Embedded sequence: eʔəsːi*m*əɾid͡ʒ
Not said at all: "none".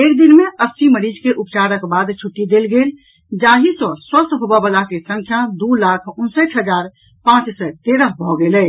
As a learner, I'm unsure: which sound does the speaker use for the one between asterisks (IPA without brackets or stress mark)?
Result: m